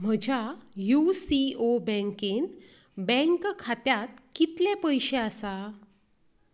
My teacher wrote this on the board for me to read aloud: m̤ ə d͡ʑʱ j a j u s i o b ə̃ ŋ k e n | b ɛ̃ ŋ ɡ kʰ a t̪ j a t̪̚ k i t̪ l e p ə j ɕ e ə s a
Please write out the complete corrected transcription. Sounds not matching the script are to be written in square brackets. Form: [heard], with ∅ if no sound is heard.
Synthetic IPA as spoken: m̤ ə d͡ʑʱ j a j u s i o b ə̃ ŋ k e n | b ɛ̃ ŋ [k] kʰ a t̪ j a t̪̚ k i t̪ l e p ə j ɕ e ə s a